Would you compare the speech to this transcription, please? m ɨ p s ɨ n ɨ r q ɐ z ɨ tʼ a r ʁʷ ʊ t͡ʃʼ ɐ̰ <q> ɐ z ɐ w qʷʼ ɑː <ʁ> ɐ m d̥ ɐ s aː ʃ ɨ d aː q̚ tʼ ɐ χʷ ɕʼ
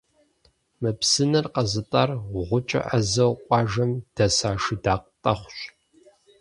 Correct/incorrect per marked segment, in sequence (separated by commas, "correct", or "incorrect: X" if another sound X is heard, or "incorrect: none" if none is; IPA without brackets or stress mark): incorrect: ʔ, incorrect: ʒ